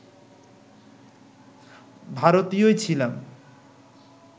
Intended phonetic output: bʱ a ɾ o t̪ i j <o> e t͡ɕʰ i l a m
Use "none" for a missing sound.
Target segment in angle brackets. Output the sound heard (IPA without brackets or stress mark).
o